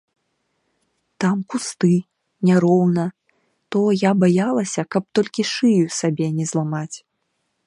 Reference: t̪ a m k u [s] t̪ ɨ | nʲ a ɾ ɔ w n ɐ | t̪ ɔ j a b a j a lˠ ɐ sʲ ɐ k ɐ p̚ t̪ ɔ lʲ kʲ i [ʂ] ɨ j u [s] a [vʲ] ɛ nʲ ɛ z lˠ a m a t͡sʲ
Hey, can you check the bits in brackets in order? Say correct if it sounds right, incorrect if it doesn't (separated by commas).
correct, correct, correct, incorrect